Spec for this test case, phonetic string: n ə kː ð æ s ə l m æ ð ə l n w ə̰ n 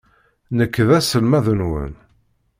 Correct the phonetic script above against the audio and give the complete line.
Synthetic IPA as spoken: n ə kː ð æ s ə l m æ ð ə n w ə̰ n